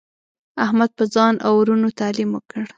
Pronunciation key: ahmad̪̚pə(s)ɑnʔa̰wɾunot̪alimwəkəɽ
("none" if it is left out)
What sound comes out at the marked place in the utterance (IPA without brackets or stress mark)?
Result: z